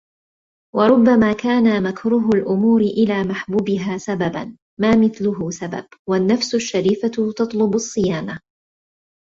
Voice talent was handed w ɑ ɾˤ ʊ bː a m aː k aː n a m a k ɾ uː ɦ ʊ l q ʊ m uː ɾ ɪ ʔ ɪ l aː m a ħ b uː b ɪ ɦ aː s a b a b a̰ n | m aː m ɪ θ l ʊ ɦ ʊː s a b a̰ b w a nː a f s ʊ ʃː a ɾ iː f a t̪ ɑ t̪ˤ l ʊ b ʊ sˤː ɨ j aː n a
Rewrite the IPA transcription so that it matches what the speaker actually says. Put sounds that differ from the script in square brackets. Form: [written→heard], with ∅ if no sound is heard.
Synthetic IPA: w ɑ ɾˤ ʊ bː a m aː k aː n a m a k ɾ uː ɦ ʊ l [q→ʔ] ʊ m uː ɾ ɪ ʔ ɪ l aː m a ħ b uː b ɪ ɦ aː s a b a b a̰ n | m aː m ɪ θ l ʊ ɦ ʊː s a b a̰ b w a nː a f s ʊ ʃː a ɾ iː f a t̪ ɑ t̪ˤ l ʊ b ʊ sˤː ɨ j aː n a